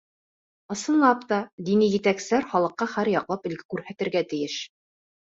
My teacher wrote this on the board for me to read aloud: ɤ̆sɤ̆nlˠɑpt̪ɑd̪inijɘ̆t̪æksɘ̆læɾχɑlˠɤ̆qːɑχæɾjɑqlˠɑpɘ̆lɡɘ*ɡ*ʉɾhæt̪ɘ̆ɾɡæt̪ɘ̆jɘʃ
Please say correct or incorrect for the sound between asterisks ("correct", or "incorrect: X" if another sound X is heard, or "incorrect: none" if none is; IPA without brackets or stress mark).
incorrect: k